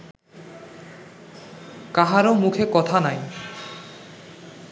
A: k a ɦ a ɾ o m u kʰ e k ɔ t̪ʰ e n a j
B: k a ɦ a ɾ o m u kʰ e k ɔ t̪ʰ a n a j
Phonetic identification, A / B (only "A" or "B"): B